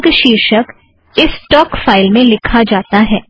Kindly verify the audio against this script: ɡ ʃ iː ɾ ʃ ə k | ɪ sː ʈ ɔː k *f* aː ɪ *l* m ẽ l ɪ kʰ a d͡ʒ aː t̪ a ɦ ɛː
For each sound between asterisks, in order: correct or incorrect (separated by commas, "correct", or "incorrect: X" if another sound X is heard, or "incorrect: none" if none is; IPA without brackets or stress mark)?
correct, correct